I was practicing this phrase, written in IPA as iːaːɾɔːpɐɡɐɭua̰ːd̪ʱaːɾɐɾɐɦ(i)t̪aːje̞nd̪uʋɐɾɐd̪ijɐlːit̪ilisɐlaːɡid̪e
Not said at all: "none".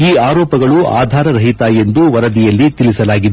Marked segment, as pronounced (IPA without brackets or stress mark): i